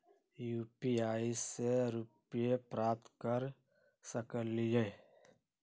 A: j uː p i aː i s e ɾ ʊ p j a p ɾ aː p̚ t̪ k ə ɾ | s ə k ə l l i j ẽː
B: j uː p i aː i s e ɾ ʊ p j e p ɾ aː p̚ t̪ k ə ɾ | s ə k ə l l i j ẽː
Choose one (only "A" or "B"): B